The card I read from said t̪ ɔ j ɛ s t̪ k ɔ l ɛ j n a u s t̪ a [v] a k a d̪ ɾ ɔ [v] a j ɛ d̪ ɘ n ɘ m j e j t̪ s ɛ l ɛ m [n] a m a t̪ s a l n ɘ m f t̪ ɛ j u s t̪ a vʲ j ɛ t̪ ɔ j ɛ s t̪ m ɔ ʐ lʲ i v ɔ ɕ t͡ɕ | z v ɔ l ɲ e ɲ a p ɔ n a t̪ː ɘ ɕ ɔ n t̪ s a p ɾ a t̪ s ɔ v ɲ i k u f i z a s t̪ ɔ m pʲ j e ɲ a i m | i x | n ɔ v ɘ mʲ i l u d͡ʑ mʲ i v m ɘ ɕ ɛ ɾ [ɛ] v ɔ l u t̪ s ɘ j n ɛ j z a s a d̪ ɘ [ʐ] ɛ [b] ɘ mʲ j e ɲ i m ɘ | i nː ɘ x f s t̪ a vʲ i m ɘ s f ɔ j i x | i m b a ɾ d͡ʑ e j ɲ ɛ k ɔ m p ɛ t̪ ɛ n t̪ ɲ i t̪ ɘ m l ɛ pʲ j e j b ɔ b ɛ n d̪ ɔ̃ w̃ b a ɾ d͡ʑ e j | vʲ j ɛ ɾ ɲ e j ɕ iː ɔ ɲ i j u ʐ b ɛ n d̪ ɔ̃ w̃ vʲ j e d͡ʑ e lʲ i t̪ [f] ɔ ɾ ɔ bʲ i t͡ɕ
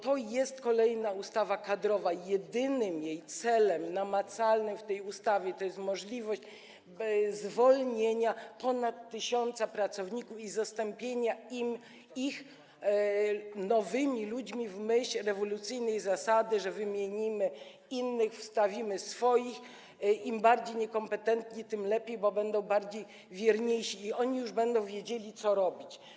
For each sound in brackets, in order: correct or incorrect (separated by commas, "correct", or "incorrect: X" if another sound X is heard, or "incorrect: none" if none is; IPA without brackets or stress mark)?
correct, correct, correct, correct, correct, incorrect: v, incorrect: s